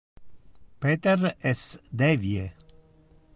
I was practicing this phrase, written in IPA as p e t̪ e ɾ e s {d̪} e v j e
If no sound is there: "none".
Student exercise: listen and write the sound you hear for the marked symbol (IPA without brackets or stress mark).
d̪